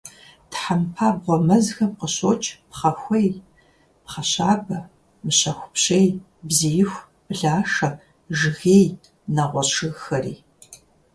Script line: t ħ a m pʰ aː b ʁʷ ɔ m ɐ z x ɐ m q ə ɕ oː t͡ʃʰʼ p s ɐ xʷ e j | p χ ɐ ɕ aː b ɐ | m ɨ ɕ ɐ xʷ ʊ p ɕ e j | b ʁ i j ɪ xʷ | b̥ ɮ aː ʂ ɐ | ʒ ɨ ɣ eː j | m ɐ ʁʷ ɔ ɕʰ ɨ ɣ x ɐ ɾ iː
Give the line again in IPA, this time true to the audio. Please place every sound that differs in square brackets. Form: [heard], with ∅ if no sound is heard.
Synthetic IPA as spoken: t ħ a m pʰ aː b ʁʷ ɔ m ɐ z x ɐ m q ə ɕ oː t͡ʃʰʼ p [χ] ɐ xʷ e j | p χ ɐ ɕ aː b ɐ | m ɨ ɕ ɐ xʷ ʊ p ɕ e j | b [z] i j ɪ xʷ | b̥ ɮ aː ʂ ɐ | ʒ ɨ ɣ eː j | [n] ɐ ʁʷ ɔ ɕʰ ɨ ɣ x ɐ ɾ iː

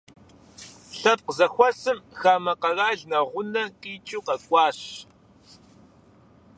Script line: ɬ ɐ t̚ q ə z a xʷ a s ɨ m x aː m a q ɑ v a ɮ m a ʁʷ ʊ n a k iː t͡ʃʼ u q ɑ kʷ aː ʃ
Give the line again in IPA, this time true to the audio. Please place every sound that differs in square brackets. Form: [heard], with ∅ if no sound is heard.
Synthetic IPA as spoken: ɬ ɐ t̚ q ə z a xʷ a s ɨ m x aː m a q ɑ [ɣ] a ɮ [n] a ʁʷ ʊ n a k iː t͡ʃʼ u q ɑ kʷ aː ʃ

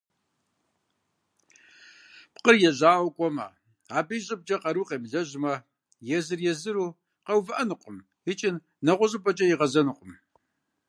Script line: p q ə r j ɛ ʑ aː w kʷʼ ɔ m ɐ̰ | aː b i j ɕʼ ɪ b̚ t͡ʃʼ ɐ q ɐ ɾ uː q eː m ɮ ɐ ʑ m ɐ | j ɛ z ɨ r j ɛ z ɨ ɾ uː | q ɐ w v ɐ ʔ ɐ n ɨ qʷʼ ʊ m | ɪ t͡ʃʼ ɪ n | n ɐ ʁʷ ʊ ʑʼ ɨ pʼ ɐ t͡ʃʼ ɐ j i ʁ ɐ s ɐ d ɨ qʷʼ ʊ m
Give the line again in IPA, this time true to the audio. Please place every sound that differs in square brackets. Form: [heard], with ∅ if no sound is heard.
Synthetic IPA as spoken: p q ə r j ɛ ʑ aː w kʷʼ ɔ m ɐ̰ | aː b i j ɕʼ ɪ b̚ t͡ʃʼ ɐ q ɐ ɾ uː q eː m ɮ ɐ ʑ m ɐ | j ɛ z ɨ r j ɛ z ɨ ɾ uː | q ɐ w v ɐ ʔ ɐ n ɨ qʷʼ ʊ m | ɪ t͡ʃʼ ɪ n | n ɐ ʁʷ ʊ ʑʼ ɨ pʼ ɐ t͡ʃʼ ɐ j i ʁ ɐ [z] ɐ [n] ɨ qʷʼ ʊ m

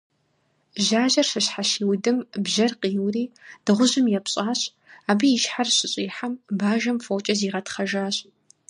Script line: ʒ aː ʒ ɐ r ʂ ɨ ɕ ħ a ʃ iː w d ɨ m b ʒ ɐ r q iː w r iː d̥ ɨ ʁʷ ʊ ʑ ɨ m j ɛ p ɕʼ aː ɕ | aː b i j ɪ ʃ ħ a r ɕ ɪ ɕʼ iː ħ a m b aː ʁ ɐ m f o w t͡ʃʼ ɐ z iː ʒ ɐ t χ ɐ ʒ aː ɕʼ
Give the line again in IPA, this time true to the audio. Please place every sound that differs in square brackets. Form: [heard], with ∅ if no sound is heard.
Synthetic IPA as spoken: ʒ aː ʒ ɐ r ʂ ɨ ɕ ħ a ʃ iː w d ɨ m b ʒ ɐ r q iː w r iː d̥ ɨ ʁʷ ʊ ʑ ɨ m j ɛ p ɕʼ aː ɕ | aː b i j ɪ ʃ ħ a r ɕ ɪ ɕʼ iː ħ a m b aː [ʒ] ɐ m f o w t͡ʃʼ ɐ z iː [ʁ] ɐ t χ ɐ ʒ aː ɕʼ

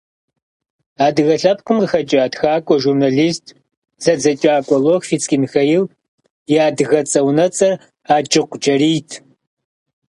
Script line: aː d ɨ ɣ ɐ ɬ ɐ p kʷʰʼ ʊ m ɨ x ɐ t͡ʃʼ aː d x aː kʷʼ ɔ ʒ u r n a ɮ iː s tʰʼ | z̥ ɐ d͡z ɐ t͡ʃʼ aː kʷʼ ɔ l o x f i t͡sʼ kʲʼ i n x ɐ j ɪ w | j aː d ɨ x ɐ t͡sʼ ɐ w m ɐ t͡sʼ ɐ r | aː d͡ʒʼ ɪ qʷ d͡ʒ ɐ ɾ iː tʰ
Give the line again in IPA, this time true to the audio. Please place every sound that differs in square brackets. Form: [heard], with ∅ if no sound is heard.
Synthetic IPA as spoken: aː d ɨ ɣ ɐ ɬ ɐ p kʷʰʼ ʊ m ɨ x ɐ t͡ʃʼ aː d x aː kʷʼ ɔ ʒ u r n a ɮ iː s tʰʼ | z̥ ɐ d͡z ɐ t͡ʃʼ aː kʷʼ ɔ l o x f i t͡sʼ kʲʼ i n x ɐ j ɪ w | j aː d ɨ [ɣ] ɐ t͡sʼ ɐ w [n] ɐ t͡sʼ ɐ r | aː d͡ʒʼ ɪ qʷ d͡ʒ ɐ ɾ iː tʰ

